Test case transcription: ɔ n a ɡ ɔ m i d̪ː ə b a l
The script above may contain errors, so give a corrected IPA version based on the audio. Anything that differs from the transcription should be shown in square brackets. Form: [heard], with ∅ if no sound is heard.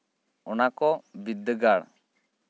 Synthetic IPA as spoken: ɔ n a [k] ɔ [b] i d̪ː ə [ɡ] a [ɽ]

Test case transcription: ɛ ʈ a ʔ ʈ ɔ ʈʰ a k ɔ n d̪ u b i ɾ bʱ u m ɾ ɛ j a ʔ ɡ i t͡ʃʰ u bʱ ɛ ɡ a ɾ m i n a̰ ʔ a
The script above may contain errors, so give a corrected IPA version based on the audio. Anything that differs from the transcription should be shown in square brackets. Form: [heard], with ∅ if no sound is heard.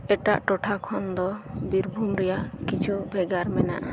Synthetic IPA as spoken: ɛ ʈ a ʔ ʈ ɔ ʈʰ a [kʰ] ɔ n d̪ [ɔ] b i ɾ bʱ u m ɾ ɛ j a ʔ [k] i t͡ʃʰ u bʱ ɛ ɡ a ɾ m [ɛ] n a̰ ʔ a

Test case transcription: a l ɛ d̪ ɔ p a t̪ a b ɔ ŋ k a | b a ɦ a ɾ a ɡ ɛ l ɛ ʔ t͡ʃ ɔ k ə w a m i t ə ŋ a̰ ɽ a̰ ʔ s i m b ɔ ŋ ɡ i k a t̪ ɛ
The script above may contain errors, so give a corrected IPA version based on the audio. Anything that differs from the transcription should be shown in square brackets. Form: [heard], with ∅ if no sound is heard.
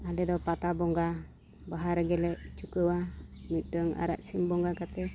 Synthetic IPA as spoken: a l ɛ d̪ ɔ p a t̪ a b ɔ ŋ [ɡ] a | b a ɦ a ɾ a ɡ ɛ l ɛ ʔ t͡ʃ [u] k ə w a m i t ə ŋ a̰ [ɾ] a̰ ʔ s i m b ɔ ŋ ɡ [a] k a t̪ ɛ

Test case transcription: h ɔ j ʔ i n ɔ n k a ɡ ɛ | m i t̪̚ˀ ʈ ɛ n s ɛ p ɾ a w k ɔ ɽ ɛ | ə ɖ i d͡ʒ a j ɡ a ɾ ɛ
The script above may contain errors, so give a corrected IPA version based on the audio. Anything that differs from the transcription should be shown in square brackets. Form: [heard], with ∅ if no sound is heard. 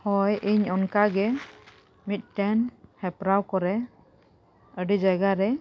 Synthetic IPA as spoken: h ɔ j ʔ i [ɲ] ɔ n k a ɡ ɛ | m i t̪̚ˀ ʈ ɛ n [h] ɛ p ɾ a w k ɔ [ɾ] ɛ | ə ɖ i d͡ʒ a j ɡ a ɾ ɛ

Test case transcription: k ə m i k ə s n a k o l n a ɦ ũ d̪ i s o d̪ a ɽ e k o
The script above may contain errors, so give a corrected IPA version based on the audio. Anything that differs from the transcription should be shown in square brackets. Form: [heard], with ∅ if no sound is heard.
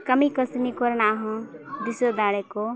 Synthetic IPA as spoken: k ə m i k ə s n [i] k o [ɾ] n a ɦ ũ d̪ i s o d̪ a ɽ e k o

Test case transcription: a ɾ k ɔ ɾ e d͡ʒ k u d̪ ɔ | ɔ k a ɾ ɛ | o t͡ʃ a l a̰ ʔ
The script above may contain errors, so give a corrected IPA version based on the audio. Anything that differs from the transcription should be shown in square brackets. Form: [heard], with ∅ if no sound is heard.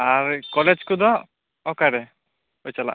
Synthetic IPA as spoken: a ɾ k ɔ [l] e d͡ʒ k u d̪ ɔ | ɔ k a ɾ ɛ | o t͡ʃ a l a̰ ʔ

